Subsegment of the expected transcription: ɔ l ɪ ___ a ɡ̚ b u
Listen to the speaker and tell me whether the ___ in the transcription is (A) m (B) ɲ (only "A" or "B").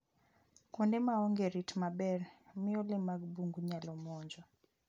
A